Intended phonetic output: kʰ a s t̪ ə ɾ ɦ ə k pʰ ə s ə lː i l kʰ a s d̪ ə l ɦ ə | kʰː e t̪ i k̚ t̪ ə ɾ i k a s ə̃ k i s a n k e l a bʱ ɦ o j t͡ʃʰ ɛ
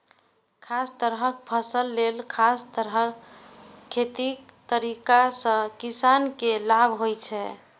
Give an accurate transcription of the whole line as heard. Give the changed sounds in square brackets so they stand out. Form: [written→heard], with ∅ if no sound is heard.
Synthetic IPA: kʰ a s t̪ ə ɾ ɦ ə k pʰ ə s ə lː [i→e] l kʰ a s [d̪→t̪] ə [l→ɾ] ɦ ə | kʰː e t̪ i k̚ t̪ ə ɾ i k a s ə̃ k i s a n k e l a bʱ ɦ o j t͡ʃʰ ɛ